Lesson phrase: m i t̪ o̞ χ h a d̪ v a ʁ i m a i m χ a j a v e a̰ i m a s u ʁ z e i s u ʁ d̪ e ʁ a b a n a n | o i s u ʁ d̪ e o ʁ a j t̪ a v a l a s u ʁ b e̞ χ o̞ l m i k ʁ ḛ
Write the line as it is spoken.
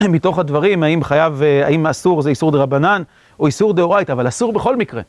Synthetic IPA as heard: m i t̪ o̞ χ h a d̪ v a ʁ i m a i m χ a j a v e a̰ i m a s u ʁ z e i s u ʁ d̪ e ʁ a b a n a n | o i s u ʁ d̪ e o ʁ a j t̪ a v a l a s u ʁ b e̞ χ o̞ l m i k ʁ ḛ